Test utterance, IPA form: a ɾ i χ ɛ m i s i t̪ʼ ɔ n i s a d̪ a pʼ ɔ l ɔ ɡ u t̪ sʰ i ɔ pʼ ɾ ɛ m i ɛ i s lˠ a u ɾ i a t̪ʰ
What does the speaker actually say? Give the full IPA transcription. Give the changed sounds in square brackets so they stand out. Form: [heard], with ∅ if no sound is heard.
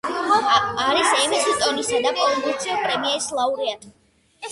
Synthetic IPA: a ɾ i [s] ɛ m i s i t̪ʼ ɔ n i s a d̪ a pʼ ɔ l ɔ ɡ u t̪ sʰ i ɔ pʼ ɾ ɛ m i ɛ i s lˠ a u ɾ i a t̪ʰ